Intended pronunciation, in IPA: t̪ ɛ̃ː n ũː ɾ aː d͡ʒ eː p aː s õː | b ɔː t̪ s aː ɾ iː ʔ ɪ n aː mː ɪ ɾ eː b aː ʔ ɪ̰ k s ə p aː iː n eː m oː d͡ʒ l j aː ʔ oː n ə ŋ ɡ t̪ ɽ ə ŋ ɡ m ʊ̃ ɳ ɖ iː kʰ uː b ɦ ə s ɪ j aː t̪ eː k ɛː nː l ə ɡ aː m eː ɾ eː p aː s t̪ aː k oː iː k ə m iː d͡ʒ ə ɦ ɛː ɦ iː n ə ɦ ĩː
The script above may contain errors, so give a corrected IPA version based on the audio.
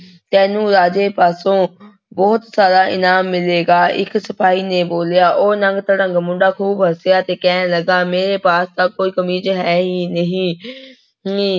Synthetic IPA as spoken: t̪ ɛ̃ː n ũː ɾ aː d͡ʒ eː p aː s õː | b ɔː t̪ s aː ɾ aː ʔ ɪ n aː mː ɪ l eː ɡ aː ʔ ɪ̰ k s ə p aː iː n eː b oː l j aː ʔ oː n ə ŋ ɡ t̪ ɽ ə ŋ ɡ m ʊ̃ ɳ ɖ aː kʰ uː b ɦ ə s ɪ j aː t̪ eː k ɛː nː l ə ɡ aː m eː ɾ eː p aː s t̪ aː k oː iː k ə m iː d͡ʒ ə ɦ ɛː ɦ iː n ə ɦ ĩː